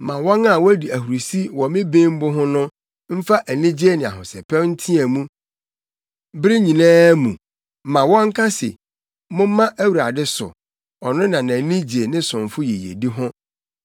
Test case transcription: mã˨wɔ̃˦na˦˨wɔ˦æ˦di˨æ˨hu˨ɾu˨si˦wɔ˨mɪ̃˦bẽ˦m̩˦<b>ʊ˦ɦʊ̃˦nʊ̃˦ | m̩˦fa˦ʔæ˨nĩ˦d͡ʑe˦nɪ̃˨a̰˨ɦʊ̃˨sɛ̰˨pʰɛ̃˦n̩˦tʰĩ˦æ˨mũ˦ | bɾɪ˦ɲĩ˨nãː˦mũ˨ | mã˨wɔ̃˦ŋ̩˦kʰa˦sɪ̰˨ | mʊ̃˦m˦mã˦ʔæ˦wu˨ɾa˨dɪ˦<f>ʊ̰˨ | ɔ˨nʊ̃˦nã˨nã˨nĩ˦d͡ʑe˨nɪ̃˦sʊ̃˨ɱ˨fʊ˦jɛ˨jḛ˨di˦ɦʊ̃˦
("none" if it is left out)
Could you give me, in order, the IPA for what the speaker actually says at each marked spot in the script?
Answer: b, s

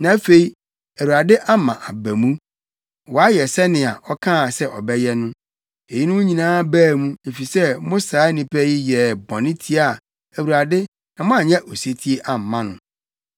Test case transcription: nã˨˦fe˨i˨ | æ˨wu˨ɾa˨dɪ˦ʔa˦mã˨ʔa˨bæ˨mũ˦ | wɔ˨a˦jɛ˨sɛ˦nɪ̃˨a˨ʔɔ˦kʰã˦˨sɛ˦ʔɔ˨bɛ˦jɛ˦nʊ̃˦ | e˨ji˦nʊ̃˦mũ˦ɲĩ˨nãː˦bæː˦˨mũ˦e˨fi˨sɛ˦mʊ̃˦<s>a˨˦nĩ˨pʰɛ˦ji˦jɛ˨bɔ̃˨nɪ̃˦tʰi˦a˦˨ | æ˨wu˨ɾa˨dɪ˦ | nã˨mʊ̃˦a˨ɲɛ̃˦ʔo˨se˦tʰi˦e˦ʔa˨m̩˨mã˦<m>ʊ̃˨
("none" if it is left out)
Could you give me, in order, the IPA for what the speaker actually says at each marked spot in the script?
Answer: s, n

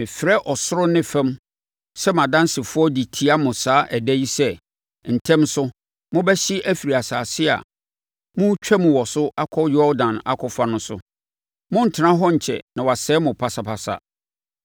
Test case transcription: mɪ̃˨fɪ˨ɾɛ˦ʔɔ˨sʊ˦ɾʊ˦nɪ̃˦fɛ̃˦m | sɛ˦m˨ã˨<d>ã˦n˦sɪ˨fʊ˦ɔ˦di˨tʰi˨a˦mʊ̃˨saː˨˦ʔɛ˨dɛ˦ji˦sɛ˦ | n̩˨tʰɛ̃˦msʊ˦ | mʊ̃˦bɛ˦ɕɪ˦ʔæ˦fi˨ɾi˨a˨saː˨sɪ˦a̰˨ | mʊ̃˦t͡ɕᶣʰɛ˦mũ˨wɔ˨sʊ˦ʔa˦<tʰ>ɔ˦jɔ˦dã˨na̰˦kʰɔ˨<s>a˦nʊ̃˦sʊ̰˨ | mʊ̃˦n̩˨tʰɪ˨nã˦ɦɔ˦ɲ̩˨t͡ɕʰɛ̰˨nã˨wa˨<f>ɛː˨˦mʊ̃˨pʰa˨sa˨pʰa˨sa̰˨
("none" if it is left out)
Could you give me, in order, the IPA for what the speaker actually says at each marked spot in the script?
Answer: d, kʰ, f, s

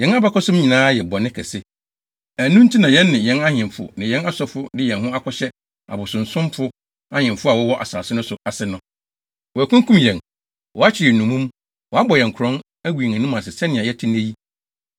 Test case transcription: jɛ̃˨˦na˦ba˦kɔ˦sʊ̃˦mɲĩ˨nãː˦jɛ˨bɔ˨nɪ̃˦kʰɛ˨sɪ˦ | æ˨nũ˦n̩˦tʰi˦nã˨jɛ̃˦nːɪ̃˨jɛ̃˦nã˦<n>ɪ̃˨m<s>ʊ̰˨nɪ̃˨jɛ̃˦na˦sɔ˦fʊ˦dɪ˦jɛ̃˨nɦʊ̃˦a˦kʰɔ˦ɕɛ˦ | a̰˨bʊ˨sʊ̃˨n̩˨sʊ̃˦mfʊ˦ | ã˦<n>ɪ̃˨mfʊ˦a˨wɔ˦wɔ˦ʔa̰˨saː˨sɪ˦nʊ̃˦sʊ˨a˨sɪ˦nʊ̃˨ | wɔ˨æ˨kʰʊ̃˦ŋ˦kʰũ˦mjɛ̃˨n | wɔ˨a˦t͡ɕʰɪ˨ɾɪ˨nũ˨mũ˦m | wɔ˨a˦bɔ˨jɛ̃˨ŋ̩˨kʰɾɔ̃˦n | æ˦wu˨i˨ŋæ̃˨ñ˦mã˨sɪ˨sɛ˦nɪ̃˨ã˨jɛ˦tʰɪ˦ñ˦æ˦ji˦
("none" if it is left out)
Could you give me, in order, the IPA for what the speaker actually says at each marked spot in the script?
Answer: ɲ, f, ɲ

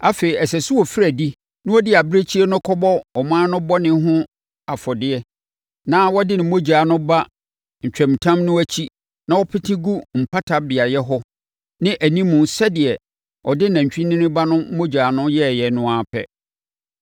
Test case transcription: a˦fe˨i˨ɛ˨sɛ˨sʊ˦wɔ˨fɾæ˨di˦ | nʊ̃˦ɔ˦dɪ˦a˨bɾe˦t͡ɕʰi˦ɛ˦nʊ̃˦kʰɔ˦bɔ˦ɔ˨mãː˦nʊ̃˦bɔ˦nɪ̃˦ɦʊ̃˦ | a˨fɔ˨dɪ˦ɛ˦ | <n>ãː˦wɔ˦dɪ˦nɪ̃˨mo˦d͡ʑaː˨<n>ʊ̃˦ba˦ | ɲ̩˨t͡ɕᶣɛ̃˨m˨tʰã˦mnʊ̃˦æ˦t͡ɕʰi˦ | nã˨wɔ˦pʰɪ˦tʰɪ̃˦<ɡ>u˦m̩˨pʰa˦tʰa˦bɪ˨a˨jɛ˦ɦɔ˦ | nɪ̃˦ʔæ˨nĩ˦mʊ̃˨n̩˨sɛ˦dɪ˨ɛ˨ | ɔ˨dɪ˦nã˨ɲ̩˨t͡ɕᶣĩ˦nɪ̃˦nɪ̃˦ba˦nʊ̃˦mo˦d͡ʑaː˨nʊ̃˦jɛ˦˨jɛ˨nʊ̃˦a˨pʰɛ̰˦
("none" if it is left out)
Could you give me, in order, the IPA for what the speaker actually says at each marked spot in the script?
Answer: n, n, ɡ

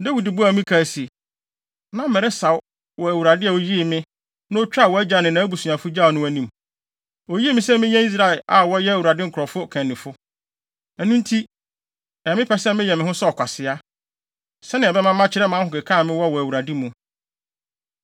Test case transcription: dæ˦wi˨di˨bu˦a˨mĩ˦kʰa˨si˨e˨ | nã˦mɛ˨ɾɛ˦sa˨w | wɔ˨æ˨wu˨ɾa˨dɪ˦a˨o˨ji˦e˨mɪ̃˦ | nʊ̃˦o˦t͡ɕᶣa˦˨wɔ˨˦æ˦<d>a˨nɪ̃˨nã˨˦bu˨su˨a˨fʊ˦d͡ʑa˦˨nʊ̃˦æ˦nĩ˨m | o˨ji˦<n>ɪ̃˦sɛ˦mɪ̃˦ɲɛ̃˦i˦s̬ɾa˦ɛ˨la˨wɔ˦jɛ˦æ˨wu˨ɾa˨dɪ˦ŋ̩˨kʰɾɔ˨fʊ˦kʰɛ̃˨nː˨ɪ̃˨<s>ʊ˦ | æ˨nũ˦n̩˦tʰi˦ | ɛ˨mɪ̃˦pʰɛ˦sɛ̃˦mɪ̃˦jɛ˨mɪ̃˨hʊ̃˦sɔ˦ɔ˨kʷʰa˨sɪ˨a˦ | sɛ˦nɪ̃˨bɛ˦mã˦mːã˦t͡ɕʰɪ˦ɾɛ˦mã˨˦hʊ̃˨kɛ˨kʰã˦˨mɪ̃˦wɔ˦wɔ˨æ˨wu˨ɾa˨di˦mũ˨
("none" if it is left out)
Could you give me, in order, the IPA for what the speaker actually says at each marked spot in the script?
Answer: d͡ʑ, m, f

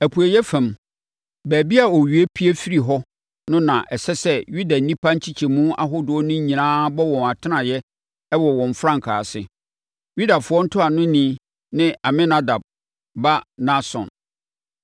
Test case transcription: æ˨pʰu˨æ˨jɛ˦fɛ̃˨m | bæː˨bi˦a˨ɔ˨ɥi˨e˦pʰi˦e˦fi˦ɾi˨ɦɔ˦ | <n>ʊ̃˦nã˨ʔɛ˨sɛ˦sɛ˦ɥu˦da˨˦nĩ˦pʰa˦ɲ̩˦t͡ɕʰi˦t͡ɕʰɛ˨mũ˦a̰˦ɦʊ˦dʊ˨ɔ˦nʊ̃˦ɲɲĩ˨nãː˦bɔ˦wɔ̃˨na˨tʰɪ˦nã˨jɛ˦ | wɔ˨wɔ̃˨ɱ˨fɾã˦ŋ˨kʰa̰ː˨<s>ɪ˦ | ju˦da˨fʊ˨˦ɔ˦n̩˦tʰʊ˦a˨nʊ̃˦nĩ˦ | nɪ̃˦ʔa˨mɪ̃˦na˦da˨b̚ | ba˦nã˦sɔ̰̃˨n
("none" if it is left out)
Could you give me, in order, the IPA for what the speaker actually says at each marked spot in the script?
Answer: n, s

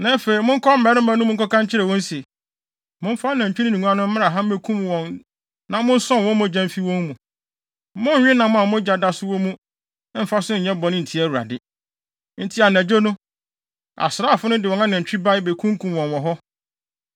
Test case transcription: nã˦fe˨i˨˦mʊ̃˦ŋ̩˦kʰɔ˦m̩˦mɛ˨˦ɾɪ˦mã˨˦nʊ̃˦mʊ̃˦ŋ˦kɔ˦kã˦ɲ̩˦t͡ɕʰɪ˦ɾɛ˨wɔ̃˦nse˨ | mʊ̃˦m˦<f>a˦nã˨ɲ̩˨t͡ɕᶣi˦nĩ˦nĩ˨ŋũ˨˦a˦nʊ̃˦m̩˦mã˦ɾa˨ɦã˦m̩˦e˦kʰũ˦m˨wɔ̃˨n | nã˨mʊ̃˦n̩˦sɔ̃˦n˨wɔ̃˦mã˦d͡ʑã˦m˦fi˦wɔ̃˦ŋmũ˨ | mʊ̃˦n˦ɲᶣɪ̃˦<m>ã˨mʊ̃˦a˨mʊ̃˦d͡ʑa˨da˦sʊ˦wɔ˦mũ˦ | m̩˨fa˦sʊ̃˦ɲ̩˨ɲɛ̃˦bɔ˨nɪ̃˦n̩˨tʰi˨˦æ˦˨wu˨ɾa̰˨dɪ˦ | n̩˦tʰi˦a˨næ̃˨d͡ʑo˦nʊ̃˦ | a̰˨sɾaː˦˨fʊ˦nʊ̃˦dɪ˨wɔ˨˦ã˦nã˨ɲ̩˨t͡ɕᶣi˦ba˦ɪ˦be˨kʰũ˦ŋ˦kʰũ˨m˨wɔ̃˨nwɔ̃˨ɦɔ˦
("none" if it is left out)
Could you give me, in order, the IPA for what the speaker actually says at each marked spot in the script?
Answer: f, n

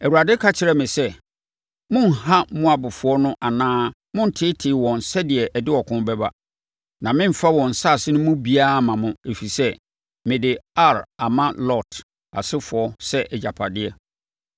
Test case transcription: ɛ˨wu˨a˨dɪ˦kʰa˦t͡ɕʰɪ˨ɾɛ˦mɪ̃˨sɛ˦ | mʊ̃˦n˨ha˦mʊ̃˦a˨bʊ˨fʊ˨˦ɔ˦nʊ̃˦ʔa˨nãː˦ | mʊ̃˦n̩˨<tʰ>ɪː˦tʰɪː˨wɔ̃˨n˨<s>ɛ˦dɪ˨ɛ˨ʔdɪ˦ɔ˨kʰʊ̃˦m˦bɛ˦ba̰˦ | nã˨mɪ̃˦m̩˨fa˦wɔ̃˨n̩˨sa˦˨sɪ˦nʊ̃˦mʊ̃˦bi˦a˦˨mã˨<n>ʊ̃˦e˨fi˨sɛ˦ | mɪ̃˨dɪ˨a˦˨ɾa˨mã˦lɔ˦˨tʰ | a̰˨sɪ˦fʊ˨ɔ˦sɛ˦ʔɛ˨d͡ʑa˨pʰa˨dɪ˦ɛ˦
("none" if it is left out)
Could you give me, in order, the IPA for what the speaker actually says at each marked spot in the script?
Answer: tʰ, s, m

